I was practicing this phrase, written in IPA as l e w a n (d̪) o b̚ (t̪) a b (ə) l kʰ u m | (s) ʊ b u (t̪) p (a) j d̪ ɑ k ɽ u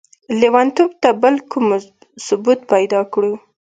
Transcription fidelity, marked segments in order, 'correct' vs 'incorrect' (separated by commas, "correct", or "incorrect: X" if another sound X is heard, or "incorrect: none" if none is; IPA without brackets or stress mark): incorrect: t̪, correct, correct, correct, correct, correct